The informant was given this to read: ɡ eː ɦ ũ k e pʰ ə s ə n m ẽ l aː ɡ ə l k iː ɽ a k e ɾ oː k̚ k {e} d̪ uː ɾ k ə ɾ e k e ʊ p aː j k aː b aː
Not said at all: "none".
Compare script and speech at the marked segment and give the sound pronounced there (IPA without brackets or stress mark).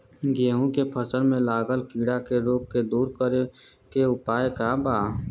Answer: e